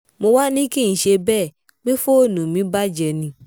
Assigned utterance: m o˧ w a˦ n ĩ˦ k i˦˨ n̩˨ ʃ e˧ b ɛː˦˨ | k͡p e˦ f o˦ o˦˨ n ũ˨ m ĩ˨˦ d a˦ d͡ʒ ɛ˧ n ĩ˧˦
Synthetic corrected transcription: m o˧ w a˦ n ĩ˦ k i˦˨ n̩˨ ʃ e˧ b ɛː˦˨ | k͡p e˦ f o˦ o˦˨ n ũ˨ m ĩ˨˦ b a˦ d͡ʒ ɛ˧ n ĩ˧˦